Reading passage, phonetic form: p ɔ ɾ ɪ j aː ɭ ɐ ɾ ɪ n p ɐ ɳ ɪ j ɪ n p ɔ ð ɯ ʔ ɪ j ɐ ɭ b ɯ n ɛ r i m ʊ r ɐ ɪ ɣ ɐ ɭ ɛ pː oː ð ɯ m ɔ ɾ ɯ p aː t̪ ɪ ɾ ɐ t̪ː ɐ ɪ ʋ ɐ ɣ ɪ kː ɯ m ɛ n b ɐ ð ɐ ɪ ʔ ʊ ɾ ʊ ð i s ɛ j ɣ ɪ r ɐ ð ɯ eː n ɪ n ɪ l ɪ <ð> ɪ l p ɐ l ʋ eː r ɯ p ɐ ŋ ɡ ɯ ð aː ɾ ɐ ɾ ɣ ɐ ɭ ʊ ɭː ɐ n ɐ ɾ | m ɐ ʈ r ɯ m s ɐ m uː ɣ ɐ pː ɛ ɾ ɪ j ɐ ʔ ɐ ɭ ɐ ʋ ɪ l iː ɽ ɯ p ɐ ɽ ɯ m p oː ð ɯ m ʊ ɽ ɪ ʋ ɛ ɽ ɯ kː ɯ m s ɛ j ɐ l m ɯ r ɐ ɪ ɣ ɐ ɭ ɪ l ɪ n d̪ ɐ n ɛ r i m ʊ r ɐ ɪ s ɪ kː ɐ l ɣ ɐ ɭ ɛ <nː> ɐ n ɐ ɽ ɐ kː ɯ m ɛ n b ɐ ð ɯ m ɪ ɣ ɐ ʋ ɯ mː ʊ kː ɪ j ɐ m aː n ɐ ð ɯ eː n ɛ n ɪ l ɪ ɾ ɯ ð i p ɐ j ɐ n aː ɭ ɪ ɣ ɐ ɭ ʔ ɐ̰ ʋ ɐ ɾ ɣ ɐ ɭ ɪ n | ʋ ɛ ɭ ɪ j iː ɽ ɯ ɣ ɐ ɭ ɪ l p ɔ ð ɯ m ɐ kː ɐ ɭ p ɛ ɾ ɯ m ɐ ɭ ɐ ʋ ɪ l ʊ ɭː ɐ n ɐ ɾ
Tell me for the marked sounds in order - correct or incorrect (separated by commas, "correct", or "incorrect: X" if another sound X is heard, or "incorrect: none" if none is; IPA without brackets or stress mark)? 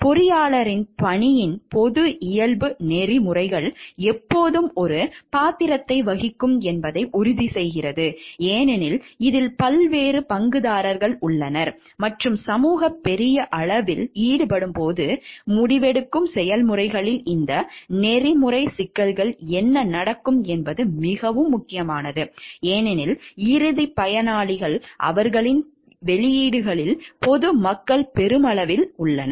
correct, correct